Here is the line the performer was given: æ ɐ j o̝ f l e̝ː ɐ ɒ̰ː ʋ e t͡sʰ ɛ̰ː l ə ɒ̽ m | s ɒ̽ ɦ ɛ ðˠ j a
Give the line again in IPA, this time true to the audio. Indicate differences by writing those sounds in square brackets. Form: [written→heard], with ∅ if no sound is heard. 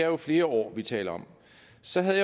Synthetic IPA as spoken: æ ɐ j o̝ f l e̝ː ɐ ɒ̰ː ʋ [e→i] t͡sʰ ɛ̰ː l [ə→ɐ] ɒ̽ m | s ɒ̽ ɦ [ɛ→æ] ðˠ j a